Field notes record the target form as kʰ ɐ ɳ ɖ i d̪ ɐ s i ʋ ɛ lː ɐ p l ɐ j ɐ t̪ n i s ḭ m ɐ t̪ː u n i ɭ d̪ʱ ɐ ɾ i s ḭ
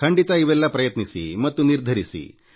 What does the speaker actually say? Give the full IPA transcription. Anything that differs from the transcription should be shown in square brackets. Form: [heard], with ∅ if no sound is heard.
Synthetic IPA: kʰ ɐ ɳ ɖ i [t̪] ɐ [∅] i ʋ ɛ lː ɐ p [ɾ] ɐ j ɐ t̪ n i s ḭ m ɐ t̪ː u n i [ɾ] d̪ʱ ɐ ɾ i s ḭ